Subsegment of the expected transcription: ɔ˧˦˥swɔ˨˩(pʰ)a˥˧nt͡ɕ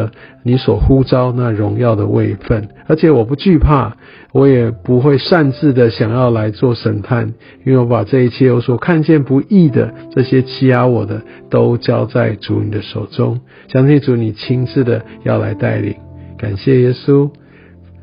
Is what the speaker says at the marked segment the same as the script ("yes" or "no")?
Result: no